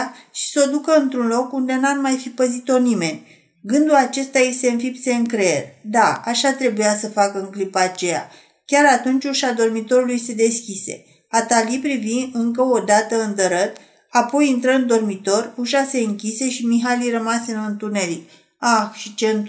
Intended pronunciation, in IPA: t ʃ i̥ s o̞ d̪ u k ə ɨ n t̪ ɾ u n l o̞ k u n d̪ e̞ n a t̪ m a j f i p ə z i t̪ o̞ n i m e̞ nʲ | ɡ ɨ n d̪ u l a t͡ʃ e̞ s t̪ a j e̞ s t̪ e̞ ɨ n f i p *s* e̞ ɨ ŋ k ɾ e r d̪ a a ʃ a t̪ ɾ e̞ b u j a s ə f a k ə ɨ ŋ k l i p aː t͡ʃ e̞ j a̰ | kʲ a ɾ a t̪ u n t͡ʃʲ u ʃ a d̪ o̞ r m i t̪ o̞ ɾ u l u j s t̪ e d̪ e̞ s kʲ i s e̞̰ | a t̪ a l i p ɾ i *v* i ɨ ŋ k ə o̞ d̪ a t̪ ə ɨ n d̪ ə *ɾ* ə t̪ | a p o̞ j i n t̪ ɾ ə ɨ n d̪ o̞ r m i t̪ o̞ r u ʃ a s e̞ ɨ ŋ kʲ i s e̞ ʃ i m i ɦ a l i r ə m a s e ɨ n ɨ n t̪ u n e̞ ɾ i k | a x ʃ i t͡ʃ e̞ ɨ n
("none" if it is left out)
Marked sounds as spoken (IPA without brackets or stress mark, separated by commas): s, v, ɾ